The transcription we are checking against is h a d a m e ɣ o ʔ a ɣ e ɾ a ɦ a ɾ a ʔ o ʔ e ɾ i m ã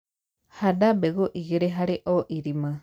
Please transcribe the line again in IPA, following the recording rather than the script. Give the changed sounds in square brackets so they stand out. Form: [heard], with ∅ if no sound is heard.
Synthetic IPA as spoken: h a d a [b] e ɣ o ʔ [i] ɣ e ɾ [e] ɦ a ɾ [e] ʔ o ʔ [i] ɾ i m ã

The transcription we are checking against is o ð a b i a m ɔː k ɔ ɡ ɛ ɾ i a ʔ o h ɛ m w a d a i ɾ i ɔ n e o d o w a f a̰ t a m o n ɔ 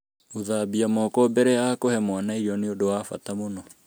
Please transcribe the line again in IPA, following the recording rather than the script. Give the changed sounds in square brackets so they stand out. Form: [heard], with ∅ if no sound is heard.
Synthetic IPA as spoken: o ð a b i a m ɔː k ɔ [b] ɛ ɾ [ɛ] a [k] o h ɛ m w a [n] a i ɾ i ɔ n e o d o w a f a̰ t a m o n ɔ

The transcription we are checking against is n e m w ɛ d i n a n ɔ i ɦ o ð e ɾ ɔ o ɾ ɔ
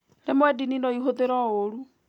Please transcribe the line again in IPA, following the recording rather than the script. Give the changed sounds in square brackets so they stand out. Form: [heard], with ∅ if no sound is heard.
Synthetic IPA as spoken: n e m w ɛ d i n [i] n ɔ i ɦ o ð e ɾ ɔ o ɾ [u]

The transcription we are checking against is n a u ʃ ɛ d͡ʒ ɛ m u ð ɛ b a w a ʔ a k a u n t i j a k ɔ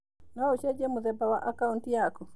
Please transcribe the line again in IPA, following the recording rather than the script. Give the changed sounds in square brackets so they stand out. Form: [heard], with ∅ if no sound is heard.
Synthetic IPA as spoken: n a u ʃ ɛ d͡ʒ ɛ m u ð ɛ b a w a ʔ a k a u n t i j a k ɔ

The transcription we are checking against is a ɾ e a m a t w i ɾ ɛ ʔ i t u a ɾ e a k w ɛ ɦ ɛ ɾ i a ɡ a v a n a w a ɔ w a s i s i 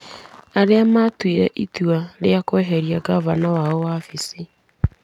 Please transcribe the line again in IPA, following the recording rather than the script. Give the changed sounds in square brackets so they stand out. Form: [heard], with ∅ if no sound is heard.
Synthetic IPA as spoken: a ɾ e a m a t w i ɾ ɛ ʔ i t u a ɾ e a k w ɛ ɦ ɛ ɾ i a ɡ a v a n a w a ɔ w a [f] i s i

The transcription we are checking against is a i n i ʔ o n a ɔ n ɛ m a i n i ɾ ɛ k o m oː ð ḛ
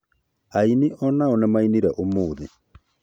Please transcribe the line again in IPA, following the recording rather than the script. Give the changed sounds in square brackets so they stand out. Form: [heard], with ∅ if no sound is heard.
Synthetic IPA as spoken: a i n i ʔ [ɔ] n a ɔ n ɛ m a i n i ɾ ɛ [ʔ] o m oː ð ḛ

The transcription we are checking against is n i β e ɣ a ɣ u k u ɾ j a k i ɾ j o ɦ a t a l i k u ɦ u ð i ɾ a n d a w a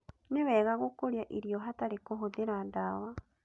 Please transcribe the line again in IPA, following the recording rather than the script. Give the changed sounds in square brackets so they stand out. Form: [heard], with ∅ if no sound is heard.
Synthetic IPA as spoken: n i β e ɣ a ɣ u k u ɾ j a [ʔ] i ɾ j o ɦ a t a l i k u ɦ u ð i ɾ a n d a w a

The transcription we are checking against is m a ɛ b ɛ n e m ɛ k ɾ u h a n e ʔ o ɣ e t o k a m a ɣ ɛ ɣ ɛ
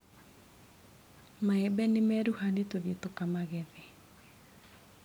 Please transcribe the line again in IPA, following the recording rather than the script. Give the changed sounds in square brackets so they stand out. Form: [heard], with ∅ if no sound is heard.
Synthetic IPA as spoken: m a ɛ b ɛ n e m ɛ [∅] ɾ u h a n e [t] o [ð] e t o k a m a ɣ ɛ [ð] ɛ

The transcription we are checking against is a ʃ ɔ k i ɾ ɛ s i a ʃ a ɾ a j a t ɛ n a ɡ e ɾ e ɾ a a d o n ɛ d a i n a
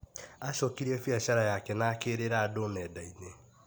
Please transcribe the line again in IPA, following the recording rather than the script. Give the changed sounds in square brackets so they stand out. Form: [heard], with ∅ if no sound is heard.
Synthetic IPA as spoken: a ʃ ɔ k i ɾ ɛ [f] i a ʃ a ɾ a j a [k] ɛ n a [k] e ɾ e ɾ a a d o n ɛ d a i n [e]

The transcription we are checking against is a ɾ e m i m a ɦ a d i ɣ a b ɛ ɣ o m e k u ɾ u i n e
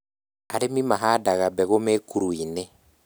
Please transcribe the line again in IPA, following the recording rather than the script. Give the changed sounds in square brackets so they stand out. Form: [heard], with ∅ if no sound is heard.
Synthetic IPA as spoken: a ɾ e m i m a ɦ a d [a] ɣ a b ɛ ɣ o m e k u ɾ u i n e

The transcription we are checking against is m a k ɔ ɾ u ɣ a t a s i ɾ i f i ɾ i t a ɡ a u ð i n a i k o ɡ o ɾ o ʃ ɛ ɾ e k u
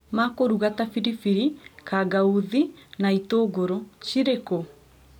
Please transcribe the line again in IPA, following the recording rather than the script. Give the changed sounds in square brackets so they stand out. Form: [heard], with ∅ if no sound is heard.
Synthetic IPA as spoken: m a k [o] ɾ u ɣ a t a [f] i ɾ i f i ɾ i [k] a ɡ a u ð i n a i [t] o ɡ o ɾ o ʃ [i] ɾ e k [o]

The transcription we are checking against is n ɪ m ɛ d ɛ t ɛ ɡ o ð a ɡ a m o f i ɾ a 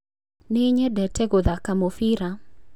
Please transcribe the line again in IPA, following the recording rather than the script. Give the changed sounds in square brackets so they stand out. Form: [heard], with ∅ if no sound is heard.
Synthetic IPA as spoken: n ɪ [ɲ] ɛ d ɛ t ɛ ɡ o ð a [k] a m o f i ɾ a

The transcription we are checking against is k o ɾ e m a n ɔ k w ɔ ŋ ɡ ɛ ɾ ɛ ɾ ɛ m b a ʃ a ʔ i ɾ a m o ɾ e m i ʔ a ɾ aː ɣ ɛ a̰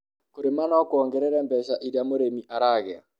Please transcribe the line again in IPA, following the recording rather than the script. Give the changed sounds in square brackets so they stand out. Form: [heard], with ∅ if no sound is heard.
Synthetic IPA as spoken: k o ɾ e m a n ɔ k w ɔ ŋ ɡ ɛ ɾ ɛ ɾ ɛ m b [ɛ] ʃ a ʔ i ɾ a m o ɾ e m i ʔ a ɾ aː ɣ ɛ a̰

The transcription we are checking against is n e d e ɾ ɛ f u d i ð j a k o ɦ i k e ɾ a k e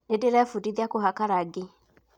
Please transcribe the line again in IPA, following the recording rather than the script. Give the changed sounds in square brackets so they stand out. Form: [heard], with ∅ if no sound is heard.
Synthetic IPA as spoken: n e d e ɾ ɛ f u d i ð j a k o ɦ [a] k [a] ɾ a [ɡ] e

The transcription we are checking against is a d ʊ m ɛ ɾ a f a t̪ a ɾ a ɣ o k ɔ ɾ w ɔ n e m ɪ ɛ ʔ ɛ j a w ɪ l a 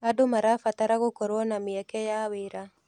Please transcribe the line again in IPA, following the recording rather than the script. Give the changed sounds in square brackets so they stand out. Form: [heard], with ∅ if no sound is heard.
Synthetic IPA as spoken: a d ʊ m [a] ɾ a f a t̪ a ɾ a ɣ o k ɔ ɾ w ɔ n [a] m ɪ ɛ [k] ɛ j a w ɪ [ɾ] a

